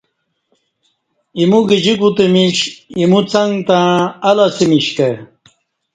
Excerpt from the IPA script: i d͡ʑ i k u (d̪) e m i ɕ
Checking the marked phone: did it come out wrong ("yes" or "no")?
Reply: yes